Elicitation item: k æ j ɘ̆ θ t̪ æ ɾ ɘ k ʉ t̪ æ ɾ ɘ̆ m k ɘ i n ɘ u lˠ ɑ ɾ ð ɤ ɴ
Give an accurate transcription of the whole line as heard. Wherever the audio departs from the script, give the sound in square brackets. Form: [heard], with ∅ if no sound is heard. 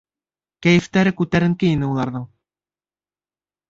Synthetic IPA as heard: k æ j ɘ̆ [f] t̪ æ ɾ ɘ k ʉ t̪ æ ɾ ɘ̆ [ŋ] k ɘ i n ɘ u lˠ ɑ ɾ ð ɤ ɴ